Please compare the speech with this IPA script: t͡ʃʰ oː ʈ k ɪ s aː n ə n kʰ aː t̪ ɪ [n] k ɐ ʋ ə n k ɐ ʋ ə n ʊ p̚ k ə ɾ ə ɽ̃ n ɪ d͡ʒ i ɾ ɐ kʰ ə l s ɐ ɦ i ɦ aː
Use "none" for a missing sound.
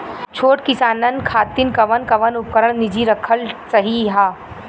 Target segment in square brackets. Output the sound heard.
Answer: n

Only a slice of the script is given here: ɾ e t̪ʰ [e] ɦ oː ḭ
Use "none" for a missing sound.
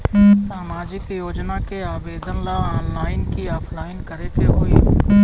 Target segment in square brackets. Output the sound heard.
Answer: e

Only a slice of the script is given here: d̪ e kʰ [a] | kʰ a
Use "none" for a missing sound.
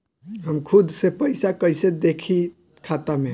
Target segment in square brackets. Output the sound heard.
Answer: i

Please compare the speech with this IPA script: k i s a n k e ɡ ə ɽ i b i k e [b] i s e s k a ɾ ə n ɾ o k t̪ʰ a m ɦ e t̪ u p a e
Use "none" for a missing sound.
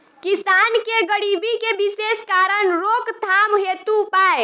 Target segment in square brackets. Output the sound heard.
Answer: b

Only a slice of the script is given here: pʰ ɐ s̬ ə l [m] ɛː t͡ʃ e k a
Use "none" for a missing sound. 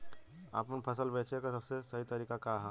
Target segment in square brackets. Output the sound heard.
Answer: b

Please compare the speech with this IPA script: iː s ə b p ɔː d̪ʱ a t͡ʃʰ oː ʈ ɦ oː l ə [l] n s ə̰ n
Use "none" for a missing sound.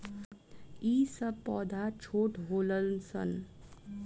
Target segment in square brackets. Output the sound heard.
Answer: l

